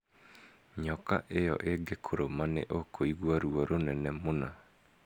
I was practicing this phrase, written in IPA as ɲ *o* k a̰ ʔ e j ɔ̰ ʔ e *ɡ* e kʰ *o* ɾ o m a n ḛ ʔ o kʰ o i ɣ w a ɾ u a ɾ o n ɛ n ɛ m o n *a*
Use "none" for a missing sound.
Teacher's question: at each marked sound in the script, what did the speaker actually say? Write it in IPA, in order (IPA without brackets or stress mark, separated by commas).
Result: ɔ, ɡ, o, a